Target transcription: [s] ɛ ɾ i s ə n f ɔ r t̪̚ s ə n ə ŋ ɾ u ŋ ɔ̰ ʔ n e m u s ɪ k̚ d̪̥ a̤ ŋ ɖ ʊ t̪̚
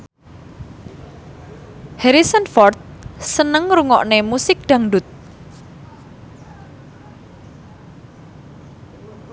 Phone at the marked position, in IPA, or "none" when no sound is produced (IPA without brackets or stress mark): h